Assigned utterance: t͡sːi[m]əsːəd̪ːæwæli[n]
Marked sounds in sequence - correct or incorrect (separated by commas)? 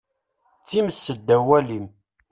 correct, incorrect